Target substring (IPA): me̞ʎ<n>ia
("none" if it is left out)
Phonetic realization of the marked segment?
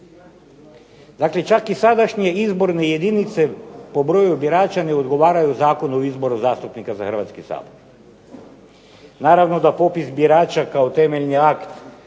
n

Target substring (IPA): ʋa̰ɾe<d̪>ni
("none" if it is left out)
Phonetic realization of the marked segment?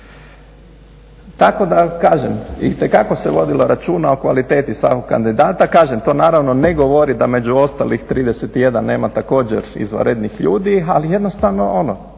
d̪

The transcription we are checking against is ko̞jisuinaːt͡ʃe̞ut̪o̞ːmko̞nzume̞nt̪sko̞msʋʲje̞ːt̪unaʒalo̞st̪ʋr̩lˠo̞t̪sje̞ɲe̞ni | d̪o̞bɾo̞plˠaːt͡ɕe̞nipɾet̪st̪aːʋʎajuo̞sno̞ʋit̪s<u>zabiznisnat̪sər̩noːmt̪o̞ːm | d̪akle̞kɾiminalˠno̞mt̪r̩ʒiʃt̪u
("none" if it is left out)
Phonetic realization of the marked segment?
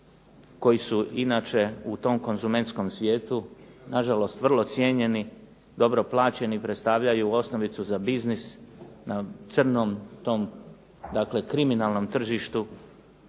u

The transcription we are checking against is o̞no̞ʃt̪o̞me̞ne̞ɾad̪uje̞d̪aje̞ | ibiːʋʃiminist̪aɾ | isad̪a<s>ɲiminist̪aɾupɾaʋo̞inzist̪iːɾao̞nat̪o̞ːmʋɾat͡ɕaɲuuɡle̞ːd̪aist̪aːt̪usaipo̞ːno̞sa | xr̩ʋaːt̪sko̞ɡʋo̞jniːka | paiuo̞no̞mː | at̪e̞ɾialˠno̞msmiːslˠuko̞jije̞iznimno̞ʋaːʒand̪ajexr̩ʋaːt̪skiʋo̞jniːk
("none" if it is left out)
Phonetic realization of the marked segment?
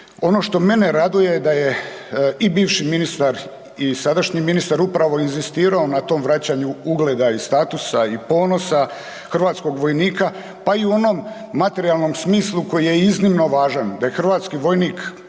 ʃ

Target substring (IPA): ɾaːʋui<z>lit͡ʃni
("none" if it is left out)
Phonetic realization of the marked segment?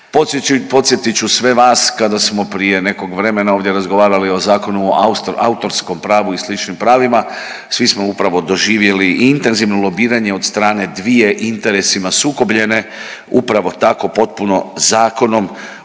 s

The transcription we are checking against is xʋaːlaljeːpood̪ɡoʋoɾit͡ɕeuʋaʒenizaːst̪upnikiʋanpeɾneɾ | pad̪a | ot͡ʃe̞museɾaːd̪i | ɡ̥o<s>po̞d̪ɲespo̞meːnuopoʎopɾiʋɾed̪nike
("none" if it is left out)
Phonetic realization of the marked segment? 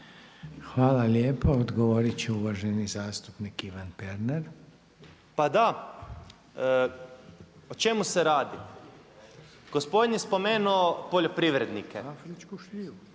s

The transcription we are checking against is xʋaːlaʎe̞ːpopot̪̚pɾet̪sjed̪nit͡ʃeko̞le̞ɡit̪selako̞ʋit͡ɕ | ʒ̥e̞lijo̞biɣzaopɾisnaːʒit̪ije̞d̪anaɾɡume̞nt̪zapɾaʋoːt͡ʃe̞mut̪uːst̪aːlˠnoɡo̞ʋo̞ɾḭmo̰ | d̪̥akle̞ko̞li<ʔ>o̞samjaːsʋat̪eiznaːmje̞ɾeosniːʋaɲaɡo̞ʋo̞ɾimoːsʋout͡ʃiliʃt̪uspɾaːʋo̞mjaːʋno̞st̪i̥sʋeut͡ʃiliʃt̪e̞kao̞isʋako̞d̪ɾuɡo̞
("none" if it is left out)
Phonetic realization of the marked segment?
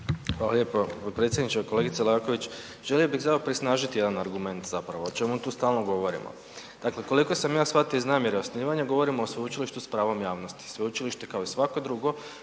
k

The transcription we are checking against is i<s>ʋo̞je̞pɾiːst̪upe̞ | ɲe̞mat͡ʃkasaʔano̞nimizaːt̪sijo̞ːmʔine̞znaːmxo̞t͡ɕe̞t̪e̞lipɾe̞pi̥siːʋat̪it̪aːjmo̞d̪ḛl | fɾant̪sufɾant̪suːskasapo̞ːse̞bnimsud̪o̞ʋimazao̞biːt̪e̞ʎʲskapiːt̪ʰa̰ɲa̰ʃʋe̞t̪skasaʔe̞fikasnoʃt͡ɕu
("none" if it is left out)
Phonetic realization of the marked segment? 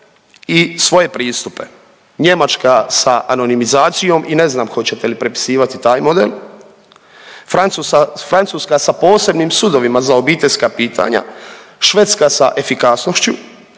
s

